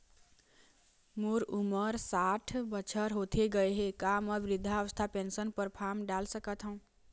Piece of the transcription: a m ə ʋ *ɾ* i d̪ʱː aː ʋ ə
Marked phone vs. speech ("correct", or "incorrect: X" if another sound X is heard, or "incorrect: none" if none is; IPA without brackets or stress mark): correct